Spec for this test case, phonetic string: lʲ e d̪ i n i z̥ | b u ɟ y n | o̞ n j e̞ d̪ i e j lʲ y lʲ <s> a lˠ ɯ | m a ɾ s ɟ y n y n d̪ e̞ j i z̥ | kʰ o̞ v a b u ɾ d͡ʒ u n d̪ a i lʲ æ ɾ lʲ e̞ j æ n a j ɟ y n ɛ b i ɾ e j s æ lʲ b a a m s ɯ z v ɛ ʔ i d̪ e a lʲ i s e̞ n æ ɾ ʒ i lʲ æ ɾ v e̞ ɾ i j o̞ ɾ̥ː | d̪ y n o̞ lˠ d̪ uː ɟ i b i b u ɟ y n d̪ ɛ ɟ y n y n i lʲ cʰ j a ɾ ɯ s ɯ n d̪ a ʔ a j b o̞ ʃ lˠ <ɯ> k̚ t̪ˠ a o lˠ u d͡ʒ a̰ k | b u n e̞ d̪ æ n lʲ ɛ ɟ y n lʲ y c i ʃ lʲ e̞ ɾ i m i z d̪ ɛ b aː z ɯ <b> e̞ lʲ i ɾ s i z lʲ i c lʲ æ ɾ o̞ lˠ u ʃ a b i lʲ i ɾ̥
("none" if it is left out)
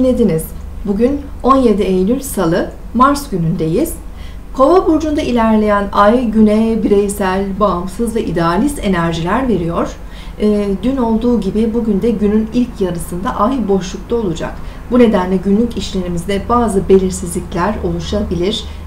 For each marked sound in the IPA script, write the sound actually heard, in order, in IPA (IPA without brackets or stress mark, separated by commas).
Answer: s, u, b